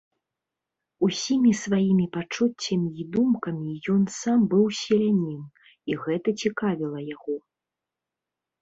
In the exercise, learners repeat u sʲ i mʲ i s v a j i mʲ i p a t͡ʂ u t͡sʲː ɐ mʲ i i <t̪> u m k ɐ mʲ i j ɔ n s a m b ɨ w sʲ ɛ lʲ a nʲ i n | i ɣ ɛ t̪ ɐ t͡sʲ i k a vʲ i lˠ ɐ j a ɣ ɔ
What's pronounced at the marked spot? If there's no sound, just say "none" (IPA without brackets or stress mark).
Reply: d̪